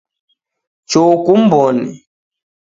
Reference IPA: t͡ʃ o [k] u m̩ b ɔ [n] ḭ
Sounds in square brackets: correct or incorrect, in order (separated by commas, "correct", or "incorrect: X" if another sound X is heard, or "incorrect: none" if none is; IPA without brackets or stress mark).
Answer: correct, correct